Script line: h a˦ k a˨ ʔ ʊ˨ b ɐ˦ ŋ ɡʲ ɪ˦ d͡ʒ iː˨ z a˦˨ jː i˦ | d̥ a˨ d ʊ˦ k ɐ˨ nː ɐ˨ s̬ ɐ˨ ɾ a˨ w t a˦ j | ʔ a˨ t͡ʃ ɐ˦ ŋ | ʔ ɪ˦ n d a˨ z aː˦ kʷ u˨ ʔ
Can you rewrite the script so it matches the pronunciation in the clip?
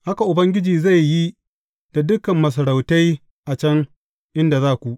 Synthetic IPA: h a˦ k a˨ ʔ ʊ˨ b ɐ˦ ŋ ɡʲ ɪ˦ d͡ʒ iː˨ z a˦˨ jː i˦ | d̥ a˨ d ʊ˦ k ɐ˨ mː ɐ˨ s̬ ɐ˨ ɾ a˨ w t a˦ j | ʔ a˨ t͡ʃ ɐ˦ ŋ | ʔ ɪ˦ n d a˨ z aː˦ kʷ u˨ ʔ